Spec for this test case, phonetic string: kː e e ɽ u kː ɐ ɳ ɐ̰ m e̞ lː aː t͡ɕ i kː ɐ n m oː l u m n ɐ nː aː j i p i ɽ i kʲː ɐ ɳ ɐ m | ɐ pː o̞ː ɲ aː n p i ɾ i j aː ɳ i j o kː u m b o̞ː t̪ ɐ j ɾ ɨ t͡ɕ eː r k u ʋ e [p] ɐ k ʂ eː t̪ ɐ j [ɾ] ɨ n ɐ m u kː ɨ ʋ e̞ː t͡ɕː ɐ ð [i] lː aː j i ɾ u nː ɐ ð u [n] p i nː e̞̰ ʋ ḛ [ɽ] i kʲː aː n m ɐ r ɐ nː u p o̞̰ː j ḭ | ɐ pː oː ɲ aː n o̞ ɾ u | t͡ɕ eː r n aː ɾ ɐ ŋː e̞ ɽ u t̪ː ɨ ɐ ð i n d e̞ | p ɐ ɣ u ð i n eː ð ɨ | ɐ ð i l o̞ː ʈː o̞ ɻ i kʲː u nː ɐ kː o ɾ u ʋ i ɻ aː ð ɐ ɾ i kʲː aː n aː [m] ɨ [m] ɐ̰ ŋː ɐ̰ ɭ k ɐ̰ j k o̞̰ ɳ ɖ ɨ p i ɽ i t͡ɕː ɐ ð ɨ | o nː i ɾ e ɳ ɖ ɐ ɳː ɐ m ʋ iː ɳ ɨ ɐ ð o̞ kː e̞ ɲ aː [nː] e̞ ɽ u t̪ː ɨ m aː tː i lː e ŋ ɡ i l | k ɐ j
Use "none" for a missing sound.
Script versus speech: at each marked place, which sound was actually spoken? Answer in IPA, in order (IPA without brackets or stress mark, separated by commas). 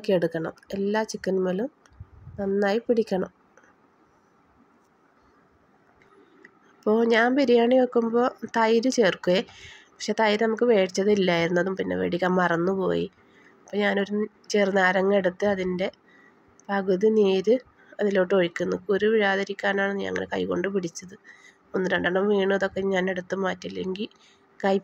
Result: p, ɾ, i, m, ɽ, ɳ, ɲ, n